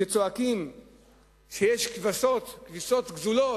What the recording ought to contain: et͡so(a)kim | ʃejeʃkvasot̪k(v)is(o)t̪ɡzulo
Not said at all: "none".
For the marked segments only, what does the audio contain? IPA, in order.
a, v, o

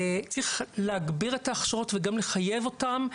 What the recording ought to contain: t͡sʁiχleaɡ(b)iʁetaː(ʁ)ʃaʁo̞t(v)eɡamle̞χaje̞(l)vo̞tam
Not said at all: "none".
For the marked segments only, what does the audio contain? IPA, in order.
b, χ, v, none

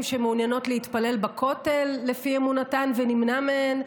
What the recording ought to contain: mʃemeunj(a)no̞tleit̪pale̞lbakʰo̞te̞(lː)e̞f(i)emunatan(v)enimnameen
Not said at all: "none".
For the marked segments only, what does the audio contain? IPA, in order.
a, lː, i, v

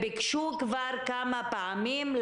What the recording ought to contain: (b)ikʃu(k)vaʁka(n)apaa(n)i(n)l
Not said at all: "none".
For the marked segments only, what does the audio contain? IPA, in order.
b, k, m, m, m

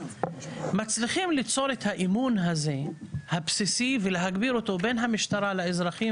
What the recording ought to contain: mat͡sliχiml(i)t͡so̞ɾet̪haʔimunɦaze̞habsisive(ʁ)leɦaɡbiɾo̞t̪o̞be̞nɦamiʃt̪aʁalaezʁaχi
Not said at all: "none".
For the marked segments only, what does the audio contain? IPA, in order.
i, none

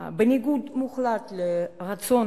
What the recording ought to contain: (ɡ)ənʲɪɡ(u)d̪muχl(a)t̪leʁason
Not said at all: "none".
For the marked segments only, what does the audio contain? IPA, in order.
b, u, a

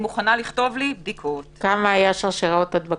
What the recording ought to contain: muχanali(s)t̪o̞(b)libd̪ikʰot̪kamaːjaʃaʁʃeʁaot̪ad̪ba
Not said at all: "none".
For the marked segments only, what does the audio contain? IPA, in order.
χ, v

